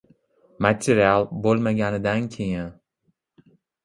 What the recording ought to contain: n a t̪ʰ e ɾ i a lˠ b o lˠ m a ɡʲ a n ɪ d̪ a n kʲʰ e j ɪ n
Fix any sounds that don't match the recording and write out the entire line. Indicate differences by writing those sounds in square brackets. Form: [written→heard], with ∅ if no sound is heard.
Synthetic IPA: [n→m] a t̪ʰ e ɾ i a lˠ b o lˠ m a ɡʲ a n ɪ d̪ a n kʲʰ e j ɪ n